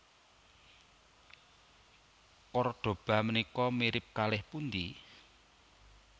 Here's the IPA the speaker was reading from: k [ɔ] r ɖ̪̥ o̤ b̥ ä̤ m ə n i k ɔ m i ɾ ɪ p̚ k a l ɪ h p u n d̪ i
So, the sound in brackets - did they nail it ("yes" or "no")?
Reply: yes